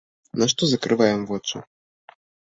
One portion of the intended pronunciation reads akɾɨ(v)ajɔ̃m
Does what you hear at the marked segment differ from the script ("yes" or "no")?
no